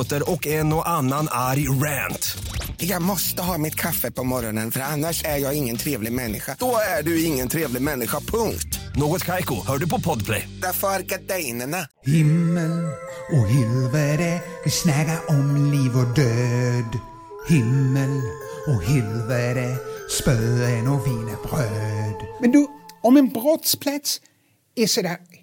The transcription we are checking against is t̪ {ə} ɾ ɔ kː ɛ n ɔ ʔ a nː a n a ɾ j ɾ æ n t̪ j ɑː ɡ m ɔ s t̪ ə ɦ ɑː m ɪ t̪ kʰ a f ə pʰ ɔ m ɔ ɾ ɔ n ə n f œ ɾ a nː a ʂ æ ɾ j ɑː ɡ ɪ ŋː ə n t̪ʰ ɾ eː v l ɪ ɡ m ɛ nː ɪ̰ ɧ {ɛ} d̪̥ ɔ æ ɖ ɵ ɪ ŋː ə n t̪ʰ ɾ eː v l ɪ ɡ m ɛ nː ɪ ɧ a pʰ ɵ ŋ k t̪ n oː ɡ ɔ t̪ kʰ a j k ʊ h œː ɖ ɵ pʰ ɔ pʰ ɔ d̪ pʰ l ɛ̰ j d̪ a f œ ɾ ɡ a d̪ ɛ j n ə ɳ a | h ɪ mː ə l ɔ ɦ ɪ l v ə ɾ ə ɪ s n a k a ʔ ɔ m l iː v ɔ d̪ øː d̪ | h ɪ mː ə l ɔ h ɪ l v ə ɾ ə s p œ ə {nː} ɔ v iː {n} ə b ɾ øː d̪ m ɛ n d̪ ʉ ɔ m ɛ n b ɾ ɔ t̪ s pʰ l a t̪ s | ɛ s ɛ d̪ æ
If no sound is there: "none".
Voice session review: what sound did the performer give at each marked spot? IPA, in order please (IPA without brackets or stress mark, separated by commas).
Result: ə, a, n, n